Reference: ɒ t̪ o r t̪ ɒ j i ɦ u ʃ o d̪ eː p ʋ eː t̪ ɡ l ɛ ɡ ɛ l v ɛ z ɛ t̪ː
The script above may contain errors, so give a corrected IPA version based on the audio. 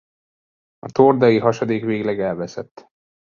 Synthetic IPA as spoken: ɒ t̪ o r d̪ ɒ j i ɦ ɒ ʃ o d̪ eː k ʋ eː ɡ l ɛ ɡ ɛ l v ɛ s ɛ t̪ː